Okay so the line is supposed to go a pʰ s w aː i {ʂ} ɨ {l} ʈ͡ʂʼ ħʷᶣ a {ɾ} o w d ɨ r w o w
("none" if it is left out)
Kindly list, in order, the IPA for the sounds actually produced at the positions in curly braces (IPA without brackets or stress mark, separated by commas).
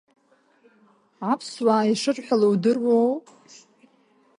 ʂ, none, l